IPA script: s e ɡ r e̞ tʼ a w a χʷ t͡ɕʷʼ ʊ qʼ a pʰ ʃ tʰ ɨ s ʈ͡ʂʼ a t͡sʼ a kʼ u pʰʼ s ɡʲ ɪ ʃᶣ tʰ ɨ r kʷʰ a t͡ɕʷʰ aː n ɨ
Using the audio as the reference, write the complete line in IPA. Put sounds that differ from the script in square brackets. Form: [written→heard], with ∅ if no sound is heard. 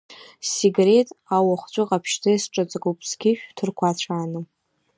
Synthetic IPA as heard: s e ɡ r e̞ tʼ a w a χʷ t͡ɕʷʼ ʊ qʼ a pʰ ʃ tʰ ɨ s ʈ͡ʂʼ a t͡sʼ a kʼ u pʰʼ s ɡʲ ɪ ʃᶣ tʰ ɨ r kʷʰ a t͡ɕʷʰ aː n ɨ